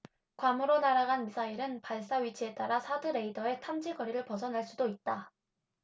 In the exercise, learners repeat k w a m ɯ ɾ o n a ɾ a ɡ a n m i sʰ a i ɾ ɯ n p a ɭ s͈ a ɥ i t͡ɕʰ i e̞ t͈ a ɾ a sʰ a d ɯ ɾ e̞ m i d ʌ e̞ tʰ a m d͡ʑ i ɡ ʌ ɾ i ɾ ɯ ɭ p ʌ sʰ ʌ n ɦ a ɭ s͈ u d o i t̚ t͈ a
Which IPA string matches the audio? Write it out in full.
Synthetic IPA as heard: k w a m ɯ ɾ o n a ɾ a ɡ a n m i sʰ a i ɾ ɯ n p a ɭ s͈ a ɥ i t͡ɕʰ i e̞ t͈ a ɾ a sʰ a d ɯ ɾ e̞ i d ʌ e̞ tʰ a m d͡ʑ i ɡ ʌ ɾ i ɾ ɯ ɭ p ʌ sʰ ʌ n ɦ a ɭ s͈ u d o i t̚ t͈ a